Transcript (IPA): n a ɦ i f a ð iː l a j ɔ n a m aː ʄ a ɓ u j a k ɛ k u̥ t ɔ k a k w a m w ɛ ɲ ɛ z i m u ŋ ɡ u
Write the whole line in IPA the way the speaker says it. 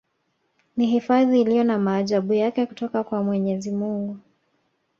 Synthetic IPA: n i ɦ i f a ð iː l i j ɔ n a m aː ʄ a ɓ u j a k ɛ k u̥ t ɔ k a k w a m w ɛ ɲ ɛ z i m u ŋ ɡ u